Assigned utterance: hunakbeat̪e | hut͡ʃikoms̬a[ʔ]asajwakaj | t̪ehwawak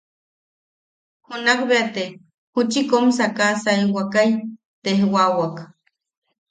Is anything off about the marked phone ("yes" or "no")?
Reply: yes